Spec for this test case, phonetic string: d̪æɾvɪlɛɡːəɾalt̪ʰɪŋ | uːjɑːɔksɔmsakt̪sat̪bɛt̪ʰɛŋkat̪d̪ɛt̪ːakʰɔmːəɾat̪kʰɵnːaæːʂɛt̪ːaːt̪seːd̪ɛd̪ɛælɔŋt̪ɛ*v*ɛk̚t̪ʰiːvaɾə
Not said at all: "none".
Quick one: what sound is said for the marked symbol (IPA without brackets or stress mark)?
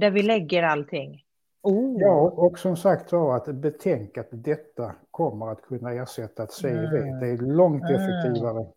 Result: f